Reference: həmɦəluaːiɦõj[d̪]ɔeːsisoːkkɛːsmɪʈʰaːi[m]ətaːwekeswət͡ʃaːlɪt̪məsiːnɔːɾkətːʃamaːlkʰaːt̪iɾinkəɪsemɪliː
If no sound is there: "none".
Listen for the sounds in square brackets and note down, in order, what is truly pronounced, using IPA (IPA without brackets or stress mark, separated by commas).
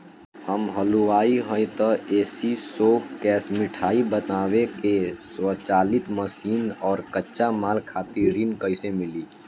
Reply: t̪, b